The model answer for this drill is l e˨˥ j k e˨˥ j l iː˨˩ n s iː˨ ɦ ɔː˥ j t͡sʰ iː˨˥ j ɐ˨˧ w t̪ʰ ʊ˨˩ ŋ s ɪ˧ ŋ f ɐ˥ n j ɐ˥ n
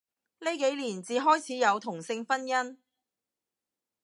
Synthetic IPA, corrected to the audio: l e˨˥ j k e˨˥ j l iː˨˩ n t͡s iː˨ ɦ ɔː˥ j t͡sʰ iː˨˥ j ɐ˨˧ w t̪ʰ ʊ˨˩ ŋ s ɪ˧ ŋ f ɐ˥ n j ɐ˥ n